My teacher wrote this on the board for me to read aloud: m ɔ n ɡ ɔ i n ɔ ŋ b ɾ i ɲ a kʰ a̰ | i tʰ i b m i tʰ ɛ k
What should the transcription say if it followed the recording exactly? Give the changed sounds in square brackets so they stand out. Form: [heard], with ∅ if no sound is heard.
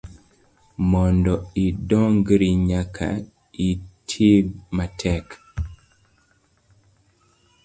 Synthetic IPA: m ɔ n [d] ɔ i [d] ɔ ŋ [ɡ] ɾ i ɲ a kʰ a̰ | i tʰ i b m [a] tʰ ɛ k